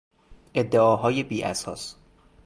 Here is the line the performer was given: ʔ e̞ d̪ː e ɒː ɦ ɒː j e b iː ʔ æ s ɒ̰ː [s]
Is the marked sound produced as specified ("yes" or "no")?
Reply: yes